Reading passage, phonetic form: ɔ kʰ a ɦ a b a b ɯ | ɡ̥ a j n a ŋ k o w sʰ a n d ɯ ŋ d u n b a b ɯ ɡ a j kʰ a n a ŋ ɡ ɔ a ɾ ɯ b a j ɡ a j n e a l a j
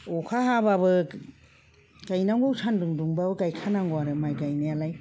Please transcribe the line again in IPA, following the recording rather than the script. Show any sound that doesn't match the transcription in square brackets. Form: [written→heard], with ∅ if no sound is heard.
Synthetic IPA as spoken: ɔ kʰ a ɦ a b a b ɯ | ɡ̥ a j n a ŋ [k→ɡ] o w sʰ a n d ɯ ŋ d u [n→ŋ] b a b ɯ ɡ a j kʰ a n a ŋ ɡ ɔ a ɾ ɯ [b→m] a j ɡ a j n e a l a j

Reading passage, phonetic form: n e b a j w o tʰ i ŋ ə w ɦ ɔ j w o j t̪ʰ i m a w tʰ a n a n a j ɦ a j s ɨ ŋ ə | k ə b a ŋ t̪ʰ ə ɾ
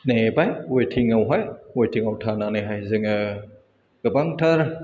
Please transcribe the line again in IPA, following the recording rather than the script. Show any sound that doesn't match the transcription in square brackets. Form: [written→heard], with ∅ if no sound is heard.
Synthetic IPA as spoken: n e b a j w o tʰ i ŋ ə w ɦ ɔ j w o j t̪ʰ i [m→ŋ] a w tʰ a n a n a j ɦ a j [s→z] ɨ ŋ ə | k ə b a ŋ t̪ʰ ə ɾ

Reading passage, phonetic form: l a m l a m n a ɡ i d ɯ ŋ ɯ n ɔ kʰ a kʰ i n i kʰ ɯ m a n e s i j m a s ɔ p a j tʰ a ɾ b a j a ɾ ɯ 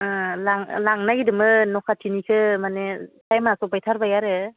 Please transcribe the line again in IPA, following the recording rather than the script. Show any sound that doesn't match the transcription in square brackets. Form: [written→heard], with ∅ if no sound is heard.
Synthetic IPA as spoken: l a [m→ŋ] l a [m→ŋ] n a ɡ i d ɯ [ŋ→m] ɯ n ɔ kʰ a [kʰ→tʰ] i n i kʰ ɯ m a n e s [i→a] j m a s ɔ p a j tʰ a ɾ b a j a ɾ ɯ

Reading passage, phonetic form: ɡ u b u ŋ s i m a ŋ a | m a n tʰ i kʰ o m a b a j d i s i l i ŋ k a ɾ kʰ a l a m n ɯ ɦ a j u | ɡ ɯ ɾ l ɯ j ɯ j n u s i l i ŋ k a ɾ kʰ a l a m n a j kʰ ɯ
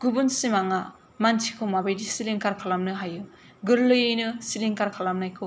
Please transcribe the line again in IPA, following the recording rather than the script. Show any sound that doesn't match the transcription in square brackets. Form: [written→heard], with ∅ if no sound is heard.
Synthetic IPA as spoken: ɡ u b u [ŋ→n] s i m a ŋ a | m a n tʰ i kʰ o m a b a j d i s i l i ŋ k a ɾ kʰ a l a m n ɯ ɦ a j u | ɡ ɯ ɾ l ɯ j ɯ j n [u→ɯ] s i l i ŋ k a ɾ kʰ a l a m n a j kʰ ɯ

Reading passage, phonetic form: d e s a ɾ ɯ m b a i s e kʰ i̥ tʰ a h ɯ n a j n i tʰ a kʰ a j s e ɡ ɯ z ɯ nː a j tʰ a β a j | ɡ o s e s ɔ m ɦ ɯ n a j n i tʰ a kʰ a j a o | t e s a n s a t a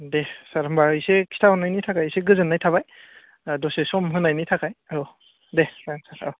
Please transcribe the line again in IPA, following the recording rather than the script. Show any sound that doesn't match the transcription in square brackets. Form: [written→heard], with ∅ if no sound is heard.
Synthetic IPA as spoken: d e s a ɾ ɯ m b a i s e kʰ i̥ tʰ a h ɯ n a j n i tʰ a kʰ a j s e ɡ ɯ z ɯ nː a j tʰ a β a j | [ɡ→d] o s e s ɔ m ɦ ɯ n a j n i tʰ a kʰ a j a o | [t→d] e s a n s a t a

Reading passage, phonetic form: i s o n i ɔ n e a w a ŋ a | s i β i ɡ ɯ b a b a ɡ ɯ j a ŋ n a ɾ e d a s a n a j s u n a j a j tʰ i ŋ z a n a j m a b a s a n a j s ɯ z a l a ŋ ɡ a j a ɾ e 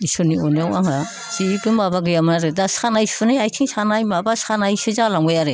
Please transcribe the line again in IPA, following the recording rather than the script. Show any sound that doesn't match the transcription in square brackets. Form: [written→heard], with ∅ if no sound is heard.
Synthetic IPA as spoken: i s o n i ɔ n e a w a ŋ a | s i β i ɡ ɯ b a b a ɡ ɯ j a [ŋ→m] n a ɾ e d a s a n a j s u n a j a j tʰ i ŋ [z→s] a n a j m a b a s a n a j s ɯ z a l a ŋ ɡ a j a ɾ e

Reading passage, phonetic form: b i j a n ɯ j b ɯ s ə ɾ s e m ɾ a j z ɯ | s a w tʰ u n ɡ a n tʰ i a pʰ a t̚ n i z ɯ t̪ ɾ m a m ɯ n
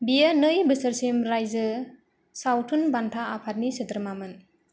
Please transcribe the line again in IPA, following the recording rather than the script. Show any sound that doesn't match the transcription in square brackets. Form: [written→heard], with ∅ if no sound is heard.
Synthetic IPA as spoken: b i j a n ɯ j b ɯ s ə ɾ s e m ɾ a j z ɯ | s a w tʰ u n [ɡ→b] a n tʰ [i→a] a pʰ a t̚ n i [z→s] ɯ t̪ ɾ m a m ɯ n

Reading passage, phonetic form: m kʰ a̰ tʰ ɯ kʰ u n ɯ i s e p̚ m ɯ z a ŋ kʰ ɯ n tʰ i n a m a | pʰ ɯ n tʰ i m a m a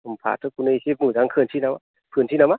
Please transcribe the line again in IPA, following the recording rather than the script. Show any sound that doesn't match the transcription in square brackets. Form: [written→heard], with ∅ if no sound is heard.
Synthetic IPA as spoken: m [kʰ→pʰ] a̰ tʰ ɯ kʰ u n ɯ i s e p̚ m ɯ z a ŋ kʰ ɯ n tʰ i n a m a | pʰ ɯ n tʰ i [m→n] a m a

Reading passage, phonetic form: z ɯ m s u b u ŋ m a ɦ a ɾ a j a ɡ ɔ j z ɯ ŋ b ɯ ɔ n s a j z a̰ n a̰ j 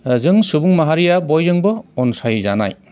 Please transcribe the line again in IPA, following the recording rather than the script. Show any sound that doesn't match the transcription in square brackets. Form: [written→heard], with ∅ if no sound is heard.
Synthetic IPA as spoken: z ɯ [m→ŋ] s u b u ŋ m a ɦ a ɾ [a→i] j a [ɡ→b] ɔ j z ɯ ŋ b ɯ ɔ n s a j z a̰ n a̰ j

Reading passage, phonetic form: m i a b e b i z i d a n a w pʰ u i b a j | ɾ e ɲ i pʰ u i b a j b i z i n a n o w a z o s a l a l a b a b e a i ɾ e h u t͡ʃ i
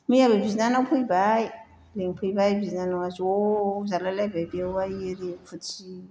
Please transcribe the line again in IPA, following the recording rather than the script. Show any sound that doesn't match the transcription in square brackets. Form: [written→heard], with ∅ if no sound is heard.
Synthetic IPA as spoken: m i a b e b i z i [d→n] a n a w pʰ u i b a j | [ɾ→l] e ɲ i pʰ u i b a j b i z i n a n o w a z o [s→z] a l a l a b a b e a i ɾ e [h→f] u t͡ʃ i

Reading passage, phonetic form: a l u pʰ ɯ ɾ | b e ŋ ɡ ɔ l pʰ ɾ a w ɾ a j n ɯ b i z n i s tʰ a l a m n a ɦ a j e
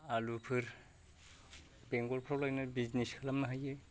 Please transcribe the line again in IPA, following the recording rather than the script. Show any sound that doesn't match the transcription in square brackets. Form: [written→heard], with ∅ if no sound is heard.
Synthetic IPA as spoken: a l u pʰ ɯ ɾ | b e ŋ ɡ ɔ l pʰ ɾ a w [ɾ→l] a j n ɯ b i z n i s [tʰ→kʰ] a l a m n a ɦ a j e

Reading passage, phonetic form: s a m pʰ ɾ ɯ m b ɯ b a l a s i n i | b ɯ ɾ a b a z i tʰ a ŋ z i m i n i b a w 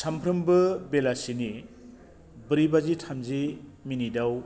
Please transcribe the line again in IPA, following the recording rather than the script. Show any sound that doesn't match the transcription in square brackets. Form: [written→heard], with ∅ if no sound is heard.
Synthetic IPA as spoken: s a m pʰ ɾ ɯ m b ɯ b [a→e] l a s i n i | b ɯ ɾ [a→i] b a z i tʰ a [ŋ→m] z i m i n i [b→d] a w

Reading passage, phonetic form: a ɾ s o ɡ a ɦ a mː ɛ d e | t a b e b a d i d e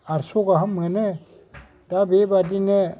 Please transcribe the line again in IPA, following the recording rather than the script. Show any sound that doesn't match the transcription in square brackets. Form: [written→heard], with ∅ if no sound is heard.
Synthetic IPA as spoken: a ɾ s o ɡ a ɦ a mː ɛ [d→n] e | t a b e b a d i [d→n] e

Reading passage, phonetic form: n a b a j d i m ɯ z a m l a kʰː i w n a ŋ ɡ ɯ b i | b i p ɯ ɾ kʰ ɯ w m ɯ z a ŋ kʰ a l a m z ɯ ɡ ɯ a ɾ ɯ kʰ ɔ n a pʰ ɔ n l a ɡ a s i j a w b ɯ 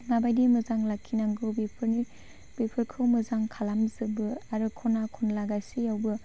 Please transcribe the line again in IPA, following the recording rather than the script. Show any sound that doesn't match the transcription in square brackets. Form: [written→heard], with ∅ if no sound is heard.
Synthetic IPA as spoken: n a b a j d i m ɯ z a [m→ŋ] l a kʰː i [w→∅] n a ŋ ɡ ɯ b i | b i [p→pʰ] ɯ ɾ kʰ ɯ w m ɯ z a ŋ kʰ a l a m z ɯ [ɡ→b] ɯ a ɾ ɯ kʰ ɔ n a [pʰ→kʰ] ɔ n l a ɡ a s i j a w b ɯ

